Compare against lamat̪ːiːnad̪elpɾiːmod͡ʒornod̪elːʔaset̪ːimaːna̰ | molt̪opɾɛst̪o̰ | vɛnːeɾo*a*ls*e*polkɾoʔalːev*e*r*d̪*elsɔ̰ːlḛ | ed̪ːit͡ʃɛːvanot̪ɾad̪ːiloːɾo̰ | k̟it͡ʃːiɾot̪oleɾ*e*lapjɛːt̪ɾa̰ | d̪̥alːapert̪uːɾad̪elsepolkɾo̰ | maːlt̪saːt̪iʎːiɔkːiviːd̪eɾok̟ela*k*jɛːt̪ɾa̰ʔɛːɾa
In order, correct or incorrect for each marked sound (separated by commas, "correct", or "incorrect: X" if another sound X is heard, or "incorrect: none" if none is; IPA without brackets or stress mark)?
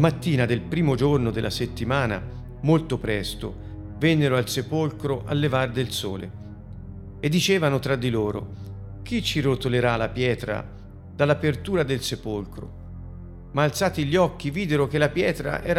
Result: correct, correct, incorrect: a, correct, incorrect: a, incorrect: p